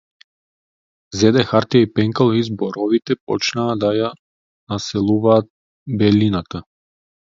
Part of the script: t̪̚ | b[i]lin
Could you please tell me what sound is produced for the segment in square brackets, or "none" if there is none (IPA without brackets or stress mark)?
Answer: ɛ